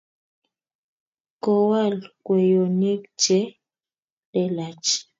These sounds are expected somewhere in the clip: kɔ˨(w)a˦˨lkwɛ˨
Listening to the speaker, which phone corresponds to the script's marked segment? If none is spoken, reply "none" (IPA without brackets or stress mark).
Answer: w